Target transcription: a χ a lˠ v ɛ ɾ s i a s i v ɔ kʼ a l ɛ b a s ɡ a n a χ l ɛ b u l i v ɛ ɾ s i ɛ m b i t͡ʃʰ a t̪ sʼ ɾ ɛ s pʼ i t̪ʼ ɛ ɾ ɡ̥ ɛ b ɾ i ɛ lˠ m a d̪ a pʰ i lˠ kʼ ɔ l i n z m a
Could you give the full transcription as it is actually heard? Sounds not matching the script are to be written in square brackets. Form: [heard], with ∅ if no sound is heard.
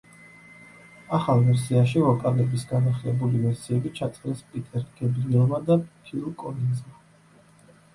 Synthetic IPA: a χ a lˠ v ɛ ɾ s i a [ʃ] i v ɔ kʼ a l ɛ b [i] s ɡ a n a χ l ɛ b u l i v ɛ ɾ s i ɛ [∅] b i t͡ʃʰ a t̪ sʼ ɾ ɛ s pʼ i t̪ʼ ɛ ɾ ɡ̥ ɛ b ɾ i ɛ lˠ m a d̪ a pʰ i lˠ kʼ ɔ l i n z m a